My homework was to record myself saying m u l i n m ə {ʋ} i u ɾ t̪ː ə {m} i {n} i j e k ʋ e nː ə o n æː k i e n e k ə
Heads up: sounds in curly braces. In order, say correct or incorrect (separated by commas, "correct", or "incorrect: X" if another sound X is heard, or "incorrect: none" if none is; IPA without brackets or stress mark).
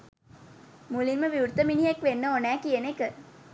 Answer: correct, correct, correct